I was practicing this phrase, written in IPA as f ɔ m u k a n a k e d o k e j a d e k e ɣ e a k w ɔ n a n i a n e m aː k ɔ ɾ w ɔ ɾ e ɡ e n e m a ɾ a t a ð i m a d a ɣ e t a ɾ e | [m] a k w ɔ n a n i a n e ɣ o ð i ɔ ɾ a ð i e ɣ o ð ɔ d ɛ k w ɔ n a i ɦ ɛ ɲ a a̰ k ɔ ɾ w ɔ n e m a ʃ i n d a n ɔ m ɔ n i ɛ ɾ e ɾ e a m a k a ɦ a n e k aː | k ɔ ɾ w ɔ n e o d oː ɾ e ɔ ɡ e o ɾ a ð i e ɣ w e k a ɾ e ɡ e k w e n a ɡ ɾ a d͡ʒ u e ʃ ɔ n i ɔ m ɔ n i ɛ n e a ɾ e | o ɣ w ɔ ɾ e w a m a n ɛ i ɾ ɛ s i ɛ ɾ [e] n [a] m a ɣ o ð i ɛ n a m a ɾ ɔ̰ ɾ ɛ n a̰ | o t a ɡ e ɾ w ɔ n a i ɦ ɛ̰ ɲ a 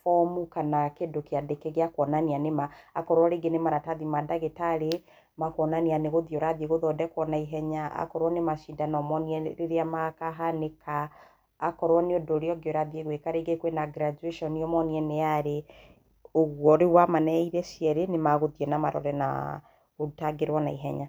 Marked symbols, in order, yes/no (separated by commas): yes, yes, no